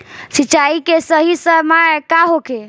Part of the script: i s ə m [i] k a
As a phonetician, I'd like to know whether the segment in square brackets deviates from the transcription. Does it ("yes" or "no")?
yes